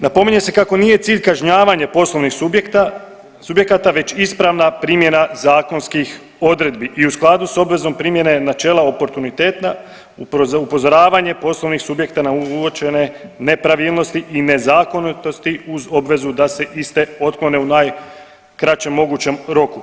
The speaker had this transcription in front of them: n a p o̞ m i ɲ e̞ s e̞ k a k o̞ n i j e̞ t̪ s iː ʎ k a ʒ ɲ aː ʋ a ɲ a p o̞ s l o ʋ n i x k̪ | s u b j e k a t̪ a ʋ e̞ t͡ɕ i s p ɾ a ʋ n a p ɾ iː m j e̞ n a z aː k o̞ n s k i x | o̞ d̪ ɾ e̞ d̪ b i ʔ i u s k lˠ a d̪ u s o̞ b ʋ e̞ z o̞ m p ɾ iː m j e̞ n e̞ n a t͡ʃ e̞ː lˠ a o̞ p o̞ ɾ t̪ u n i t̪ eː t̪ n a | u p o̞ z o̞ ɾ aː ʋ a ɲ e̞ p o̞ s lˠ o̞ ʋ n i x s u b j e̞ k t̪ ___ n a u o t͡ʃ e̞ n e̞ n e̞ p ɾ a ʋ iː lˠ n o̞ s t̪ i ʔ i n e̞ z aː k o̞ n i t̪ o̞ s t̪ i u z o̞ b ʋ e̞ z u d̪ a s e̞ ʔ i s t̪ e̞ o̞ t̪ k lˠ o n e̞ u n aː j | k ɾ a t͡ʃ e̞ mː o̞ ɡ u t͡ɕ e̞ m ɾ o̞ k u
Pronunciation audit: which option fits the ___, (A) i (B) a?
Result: B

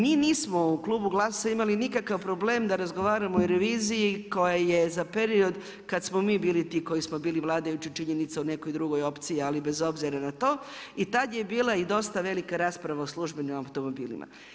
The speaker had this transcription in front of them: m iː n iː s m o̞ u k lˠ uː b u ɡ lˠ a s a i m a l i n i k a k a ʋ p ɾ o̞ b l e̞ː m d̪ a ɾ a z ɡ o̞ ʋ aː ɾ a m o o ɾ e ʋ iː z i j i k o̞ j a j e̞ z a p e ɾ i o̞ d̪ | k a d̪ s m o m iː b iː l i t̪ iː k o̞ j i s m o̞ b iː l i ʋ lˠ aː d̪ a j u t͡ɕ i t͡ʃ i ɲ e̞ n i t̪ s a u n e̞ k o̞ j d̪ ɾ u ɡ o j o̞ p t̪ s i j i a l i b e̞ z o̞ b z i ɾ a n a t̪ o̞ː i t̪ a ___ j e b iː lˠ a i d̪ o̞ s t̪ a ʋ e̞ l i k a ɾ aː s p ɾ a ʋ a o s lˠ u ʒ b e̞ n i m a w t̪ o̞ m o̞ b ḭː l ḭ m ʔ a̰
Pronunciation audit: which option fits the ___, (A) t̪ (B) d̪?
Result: B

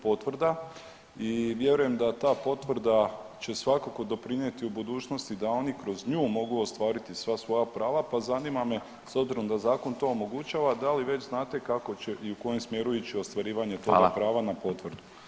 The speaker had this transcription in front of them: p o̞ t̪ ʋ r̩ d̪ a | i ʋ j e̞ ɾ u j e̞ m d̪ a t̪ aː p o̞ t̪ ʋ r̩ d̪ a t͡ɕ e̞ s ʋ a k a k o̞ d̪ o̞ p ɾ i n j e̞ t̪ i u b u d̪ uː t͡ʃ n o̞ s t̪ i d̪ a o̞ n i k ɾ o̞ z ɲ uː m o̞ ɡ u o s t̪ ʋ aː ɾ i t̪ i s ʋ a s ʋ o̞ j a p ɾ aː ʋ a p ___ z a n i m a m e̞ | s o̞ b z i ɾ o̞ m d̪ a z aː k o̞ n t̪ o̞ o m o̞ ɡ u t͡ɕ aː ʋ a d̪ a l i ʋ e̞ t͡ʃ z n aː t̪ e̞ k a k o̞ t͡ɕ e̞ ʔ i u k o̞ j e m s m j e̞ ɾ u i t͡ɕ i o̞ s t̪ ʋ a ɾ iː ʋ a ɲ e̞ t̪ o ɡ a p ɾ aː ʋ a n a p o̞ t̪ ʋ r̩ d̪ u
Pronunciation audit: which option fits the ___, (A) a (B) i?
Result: A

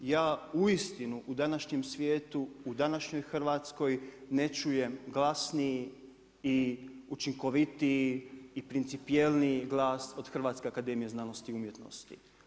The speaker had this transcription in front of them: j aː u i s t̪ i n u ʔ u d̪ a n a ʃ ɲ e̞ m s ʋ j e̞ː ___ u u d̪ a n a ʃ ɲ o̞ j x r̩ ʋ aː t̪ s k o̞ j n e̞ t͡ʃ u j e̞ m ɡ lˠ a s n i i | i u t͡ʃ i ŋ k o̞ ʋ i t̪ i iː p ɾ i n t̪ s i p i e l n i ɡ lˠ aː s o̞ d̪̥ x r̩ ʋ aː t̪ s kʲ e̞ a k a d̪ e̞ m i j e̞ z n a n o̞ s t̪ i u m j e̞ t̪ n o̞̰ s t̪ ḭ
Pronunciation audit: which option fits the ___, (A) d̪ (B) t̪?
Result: B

